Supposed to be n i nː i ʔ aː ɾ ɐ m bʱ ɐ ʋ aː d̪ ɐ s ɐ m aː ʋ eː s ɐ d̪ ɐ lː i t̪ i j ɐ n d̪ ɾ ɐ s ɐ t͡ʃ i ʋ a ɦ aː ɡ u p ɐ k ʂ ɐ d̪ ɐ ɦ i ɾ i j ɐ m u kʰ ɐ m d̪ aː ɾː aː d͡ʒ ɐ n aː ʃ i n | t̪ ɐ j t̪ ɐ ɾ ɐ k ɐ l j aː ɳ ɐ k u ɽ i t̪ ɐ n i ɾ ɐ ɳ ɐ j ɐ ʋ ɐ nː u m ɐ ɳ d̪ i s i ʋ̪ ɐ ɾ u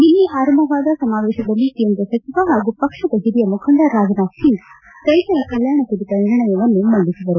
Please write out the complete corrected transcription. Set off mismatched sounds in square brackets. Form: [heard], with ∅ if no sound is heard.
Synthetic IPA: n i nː i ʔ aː ɾ ɐ m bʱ ɐ ʋ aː d̪ ɐ s ɐ m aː ʋ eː [ʃ] ɐ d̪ ɐ lː i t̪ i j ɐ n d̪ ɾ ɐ s ɐ t͡ʃ i ʋ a ɦ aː ɡ u p ɐ k ʂ ɐ d̪ ɐ ɦ i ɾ i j ɐ m u kʰ ɐ [n] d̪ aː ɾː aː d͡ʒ ɐ n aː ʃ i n | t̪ ɐ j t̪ ɐ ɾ ɐ k ɐ l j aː ɳ ɐ k u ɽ i t̪ ɐ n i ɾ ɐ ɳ ɐ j ɐ ʋ ɐ nː u m ɐ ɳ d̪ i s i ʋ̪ ɐ ɾ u